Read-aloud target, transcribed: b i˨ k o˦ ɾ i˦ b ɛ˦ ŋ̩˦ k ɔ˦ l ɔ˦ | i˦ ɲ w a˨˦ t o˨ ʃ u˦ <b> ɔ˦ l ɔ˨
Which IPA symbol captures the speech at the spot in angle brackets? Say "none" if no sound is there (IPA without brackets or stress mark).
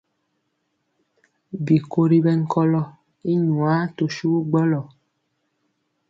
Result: ɡ͡b